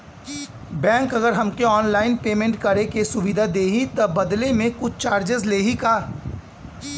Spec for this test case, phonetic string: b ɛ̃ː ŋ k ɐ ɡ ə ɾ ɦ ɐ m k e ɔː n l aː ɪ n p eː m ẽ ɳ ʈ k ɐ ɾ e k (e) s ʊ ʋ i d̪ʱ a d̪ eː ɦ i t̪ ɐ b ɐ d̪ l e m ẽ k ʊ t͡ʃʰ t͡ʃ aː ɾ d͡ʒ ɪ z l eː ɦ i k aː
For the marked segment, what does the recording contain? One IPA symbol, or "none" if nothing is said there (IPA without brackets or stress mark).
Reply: e